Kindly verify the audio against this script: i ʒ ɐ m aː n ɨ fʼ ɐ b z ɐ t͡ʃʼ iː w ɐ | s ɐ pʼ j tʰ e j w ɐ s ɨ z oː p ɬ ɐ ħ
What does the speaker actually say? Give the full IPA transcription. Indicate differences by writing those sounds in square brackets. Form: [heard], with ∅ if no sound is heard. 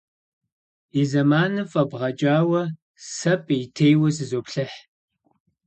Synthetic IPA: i [z] ɐ m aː n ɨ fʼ ɐ b [ʁ] ɐ t͡ʃʼ [aː] w ɐ | s ɐ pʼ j tʰ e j w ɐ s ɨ z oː p ɬ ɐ ħ